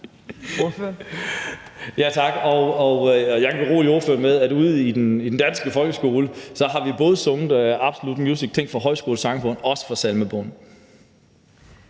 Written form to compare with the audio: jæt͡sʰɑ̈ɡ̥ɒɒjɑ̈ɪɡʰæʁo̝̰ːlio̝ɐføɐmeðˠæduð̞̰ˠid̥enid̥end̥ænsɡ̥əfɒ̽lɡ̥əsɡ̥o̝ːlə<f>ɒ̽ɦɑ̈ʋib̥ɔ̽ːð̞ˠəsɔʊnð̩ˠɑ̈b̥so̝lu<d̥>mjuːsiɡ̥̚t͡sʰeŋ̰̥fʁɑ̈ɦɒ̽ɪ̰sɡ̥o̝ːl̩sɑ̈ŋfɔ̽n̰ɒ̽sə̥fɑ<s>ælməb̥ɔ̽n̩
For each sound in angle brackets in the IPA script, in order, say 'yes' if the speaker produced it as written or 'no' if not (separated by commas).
no, yes, yes